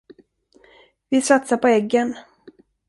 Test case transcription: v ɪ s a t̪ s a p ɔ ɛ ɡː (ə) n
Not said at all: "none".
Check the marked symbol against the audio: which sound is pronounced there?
ə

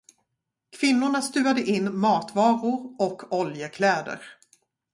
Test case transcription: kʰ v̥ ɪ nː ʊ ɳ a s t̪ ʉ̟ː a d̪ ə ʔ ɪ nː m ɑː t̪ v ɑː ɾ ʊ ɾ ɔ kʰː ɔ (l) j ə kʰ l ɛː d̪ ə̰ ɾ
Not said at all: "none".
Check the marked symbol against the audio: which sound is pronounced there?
l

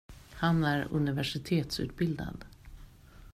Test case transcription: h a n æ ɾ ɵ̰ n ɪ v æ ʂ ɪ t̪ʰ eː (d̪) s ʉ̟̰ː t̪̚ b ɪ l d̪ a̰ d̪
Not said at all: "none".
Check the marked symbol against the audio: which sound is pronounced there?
t̪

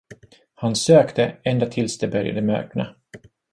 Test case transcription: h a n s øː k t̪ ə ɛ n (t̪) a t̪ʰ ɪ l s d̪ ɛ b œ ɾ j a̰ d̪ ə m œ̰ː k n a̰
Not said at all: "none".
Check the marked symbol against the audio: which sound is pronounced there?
d̪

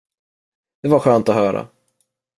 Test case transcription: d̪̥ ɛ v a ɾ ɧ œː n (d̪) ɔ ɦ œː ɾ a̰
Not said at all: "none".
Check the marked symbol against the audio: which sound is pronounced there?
t̪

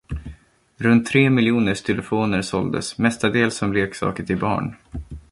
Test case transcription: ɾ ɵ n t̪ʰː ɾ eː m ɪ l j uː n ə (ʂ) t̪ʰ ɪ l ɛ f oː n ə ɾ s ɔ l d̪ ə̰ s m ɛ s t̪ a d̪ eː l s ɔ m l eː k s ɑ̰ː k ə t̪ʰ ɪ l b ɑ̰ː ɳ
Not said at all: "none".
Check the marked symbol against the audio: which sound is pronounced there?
ʂ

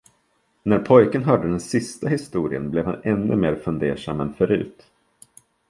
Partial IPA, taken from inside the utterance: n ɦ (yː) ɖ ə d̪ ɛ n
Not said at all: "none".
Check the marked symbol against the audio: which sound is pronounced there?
œː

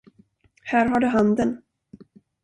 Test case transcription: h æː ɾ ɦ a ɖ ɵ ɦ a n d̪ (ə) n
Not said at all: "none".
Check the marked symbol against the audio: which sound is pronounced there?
ə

